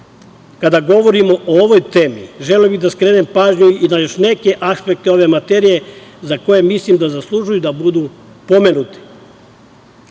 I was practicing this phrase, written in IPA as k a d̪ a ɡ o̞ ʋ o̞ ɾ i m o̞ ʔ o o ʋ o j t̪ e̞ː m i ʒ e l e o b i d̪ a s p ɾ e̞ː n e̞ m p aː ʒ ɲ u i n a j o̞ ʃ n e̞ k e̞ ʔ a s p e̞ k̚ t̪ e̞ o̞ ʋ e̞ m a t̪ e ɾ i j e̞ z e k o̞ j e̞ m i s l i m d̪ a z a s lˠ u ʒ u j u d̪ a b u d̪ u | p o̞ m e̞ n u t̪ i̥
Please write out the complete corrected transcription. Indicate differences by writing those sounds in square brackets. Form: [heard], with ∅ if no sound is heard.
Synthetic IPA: k a d̪ a ɡ o̞ ʋ o̞ ɾ i m o̞ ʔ o o ʋ o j t̪ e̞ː m i ʒ e l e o b i d̪ a s [k] ɾ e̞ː n e̞ m p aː ʒ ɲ u i n a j o̞ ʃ n e̞ k e̞ ʔ a s p e̞ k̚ t̪ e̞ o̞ ʋ e̞ m a t̪ e ɾ i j e̞ z [a] k o̞ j e̞ m i s l i m d̪ a z a s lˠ u ʒ u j u d̪ a b u d̪ u | p o̞ m e̞ n u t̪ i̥

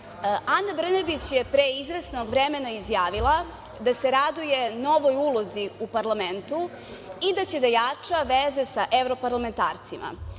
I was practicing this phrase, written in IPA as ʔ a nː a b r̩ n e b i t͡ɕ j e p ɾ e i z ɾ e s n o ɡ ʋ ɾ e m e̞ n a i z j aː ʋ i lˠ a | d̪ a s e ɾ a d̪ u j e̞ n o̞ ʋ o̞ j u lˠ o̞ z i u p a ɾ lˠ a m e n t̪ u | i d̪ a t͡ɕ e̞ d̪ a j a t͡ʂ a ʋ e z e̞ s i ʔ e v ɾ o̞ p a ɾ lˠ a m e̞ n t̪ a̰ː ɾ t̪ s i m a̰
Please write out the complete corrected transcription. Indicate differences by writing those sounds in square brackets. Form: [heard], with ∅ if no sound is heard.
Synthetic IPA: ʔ a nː a b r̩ n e b i t͡ɕ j e p ɾ e i z ɾ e s n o ɡ ʋ ɾ e m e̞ n a i z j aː ʋ i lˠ a | d̪ a s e ɾ a d̪ u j e̞ n o̞ ʋ o̞ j u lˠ o̞ z i u p a ɾ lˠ a m e n t̪ u | i d̪ a t͡ɕ e̞ d̪ a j a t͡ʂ a ʋ e z e̞ s [a] ʔ e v ɾ o̞ p a ɾ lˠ a m e̞ n t̪ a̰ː ɾ t̪ s i m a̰

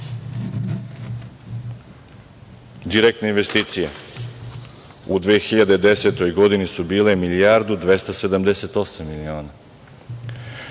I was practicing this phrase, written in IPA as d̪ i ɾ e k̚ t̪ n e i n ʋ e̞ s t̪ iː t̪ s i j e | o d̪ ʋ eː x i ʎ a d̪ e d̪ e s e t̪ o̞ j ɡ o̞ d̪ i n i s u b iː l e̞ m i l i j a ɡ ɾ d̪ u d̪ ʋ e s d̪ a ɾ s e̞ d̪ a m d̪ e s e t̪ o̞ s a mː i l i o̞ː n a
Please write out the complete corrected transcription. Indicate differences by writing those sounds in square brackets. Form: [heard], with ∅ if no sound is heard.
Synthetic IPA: d̪ i ɾ e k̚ t̪ n e i n ʋ e̞ s t̪ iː t̪ s i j e | [u] d̪ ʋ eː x i ʎ a d̪ e d̪ e s e t̪ o̞ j ɡ o̞ d̪ i n i s u b iː l e̞ m i l i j a [∅] ɾ d̪ u d̪ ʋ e s [t̪] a [∅] s e̞ d̪ a m d̪ e s e t̪ o̞ s a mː i l i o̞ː n a

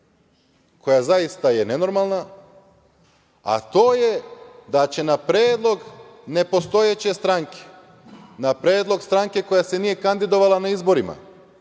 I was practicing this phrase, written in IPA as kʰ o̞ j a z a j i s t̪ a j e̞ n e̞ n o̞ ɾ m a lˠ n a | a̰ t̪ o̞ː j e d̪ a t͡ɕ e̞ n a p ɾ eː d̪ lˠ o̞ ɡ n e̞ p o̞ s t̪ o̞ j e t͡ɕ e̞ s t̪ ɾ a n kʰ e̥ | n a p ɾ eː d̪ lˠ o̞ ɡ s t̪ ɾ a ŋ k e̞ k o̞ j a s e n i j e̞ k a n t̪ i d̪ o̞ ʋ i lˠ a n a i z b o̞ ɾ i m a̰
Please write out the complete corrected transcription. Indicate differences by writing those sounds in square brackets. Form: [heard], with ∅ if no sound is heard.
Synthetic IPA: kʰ o̞ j a z a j i s t̪ a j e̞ n e̞ n o̞ ɾ m a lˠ n a | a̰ t̪ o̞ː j e d̪ a t͡ɕ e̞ n a p ɾ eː d̪ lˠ o̞ ɡ n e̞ p o̞ s t̪ o̞ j e t͡ɕ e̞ s t̪ ɾ a [ŋ] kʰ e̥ | n a p ɾ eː d̪ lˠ o̞ ɡ s t̪ ɾ a ŋ k e̞ k o̞ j a s e n i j e̞ k a n [d̪] i d̪ o̞ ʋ [a] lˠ a n a i z b o̞ ɾ i m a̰

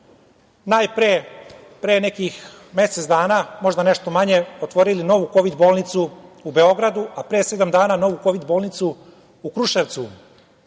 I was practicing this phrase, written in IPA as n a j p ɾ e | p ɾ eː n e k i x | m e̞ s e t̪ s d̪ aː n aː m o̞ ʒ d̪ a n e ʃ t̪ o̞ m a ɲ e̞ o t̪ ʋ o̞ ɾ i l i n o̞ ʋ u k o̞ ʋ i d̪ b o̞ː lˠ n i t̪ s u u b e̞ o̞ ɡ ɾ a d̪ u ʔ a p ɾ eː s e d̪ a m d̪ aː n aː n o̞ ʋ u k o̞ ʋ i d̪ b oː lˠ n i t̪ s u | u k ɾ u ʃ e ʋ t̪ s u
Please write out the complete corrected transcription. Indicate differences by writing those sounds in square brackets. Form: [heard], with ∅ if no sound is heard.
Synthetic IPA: n a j p ɾ e | p ɾ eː n e k i x | m e̞ s e t̪ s d̪ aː n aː m o̞ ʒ d̪ a n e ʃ t̪ o̞ m a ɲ e̞ o t̪ ʋ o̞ ɾ i l i n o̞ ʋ u k o̞ ʋ i d̪ b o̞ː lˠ n i t̪ s u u b e̞ o̞ ɡ ɾ a d̪ u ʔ a p ɾ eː s e d̪ a m d̪ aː n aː n o̞ ʋ u k o̞ ʋ i d̪ b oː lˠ n i t̪ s u | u k ɾ u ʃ e ʋ t̪ s u

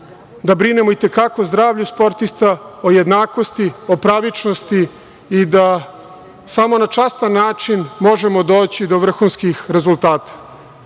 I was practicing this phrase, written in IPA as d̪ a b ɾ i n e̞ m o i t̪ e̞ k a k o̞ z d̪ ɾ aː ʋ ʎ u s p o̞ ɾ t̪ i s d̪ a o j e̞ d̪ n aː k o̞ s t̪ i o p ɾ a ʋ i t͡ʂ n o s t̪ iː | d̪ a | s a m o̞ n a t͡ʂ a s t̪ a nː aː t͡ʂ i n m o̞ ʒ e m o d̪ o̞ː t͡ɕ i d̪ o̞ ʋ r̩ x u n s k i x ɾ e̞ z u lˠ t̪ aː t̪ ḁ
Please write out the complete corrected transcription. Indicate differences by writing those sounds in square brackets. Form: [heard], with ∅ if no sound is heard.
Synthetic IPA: d̪ a b ɾ i n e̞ m o i t̪ e̞ k a k o̞ z d̪ ɾ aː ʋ ʎ u s p o̞ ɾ t̪ i s [t̪] a o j e̞ d̪ n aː k o̞ s t̪ i o p ɾ a ʋ i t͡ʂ n o s t̪ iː | d̪ a | s a m o̞ n a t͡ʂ a s t̪ a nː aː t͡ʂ i n m o̞ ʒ e m o d̪ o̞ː t͡ɕ i d̪ o̞ ʋ r̩ x u n s k i x ɾ e̞ z u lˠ t̪ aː t̪ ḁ

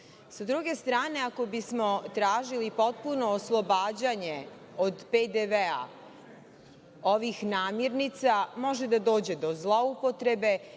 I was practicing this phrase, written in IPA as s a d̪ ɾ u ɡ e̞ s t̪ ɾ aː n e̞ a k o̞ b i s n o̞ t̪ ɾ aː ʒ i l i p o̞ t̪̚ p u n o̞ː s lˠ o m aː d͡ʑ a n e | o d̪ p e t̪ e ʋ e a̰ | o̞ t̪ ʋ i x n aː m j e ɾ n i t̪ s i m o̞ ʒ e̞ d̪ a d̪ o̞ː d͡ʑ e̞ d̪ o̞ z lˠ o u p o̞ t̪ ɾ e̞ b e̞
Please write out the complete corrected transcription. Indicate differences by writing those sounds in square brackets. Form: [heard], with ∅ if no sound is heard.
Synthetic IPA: s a d̪ ɾ u ɡ e̞ s t̪ ɾ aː n e̞ a k o̞ b i s [m] o̞ t̪ ɾ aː ʒ i l i p o̞ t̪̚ p u n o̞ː s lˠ o [b] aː d͡ʑ a [ɲ] e | o d̪ p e [d̪] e ʋ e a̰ | o̞ [∅] ʋ i x n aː m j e ɾ n i t̪ s [a] m o̞ ʒ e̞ d̪ a d̪ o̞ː d͡ʑ e̞ d̪ o̞ z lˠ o u p o̞ t̪ ɾ e̞ b e̞

